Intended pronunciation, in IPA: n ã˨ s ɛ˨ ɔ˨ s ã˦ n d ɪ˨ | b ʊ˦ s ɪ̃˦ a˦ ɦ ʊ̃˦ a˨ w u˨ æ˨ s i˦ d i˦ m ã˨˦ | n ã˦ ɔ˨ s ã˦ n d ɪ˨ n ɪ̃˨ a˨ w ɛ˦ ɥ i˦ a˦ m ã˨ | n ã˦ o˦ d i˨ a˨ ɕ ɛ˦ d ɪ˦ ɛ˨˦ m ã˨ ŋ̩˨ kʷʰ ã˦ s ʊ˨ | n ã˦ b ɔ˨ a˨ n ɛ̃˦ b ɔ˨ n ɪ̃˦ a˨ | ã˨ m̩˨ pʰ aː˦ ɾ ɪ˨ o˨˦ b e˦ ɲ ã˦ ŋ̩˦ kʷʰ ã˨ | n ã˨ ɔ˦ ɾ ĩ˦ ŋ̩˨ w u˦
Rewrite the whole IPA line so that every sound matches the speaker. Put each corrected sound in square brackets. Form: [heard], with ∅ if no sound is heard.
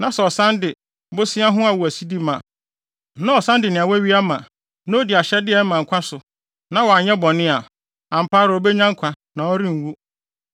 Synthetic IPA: n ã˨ s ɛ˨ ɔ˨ s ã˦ n d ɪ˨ | b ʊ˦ s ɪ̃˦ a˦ ɦ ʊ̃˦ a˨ w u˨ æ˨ s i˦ d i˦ m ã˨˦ | n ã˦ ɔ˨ s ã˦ n d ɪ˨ n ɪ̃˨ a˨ w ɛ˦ ɥ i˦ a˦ m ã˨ | n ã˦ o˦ d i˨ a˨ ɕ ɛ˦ d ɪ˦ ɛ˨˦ m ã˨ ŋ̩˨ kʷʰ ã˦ s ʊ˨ | n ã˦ [w] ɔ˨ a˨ [ɲ] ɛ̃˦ b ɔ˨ n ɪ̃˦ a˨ | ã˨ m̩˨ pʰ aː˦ ɾ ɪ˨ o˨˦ b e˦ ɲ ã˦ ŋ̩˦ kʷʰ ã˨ | n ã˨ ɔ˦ ɾ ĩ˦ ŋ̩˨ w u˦